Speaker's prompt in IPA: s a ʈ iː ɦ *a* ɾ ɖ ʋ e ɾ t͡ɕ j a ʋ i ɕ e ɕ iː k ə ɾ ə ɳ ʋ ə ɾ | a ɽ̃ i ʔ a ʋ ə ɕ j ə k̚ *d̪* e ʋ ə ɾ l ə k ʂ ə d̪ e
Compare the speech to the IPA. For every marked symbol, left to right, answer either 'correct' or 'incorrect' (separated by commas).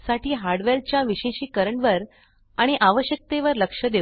correct, incorrect